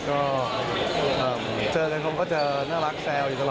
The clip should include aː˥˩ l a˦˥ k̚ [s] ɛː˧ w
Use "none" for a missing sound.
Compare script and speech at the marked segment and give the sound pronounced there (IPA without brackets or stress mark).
s